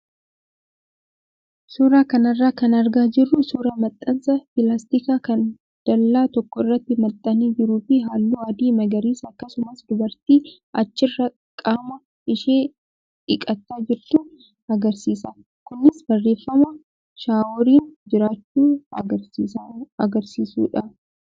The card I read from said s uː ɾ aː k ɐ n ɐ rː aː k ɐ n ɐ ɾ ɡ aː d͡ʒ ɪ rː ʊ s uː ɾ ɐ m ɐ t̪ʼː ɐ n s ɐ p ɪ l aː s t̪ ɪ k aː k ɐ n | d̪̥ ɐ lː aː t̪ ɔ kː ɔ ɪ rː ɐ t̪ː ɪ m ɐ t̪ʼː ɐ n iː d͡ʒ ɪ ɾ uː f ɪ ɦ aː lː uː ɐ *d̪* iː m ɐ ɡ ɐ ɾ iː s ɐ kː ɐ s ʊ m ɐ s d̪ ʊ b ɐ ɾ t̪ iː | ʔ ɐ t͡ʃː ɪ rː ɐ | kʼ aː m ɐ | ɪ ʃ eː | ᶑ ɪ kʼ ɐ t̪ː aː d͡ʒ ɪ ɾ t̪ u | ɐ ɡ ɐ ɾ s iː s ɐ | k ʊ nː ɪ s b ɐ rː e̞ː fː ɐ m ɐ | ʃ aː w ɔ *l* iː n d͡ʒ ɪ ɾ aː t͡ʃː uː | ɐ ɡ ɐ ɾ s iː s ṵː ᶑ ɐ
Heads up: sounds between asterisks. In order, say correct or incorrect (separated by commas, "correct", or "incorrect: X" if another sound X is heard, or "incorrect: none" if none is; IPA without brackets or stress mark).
correct, incorrect: ɾ